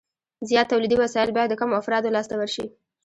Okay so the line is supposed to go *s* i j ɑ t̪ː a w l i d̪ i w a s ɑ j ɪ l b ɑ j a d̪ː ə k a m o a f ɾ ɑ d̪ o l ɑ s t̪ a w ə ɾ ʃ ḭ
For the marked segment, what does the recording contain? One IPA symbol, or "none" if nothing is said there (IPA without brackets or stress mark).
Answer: z